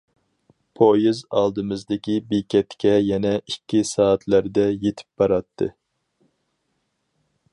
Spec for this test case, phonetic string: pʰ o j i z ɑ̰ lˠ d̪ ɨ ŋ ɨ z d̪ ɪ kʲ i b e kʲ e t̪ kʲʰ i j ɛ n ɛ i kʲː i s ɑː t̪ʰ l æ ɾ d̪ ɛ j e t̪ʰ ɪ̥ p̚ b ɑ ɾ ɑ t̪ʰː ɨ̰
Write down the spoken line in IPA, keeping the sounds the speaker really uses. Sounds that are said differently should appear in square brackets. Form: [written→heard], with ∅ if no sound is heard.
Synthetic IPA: pʰ o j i z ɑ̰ lˠ d̪ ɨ [ŋ→m] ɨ z d̪ ɪ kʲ i b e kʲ [e→ɛ] t̪ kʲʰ [i→ɛ] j ɛ n ɛ i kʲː i s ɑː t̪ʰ l æ ɾ d̪ ɛ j e t̪ʰ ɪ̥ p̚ b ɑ ɾ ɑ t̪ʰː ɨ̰